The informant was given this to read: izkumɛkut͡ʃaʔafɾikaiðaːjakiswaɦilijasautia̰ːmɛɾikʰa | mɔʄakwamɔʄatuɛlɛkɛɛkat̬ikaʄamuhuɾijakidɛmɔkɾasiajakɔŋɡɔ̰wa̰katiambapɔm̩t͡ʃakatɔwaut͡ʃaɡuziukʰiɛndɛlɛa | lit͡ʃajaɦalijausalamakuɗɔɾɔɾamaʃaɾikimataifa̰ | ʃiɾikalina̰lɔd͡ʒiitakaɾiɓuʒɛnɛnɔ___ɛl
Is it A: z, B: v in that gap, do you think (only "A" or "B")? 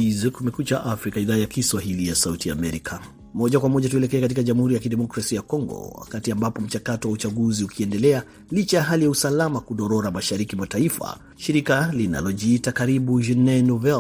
B